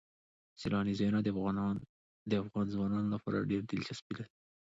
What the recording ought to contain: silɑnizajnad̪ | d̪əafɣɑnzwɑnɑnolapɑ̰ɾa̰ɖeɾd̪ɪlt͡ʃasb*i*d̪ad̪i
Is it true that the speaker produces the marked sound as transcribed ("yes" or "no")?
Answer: yes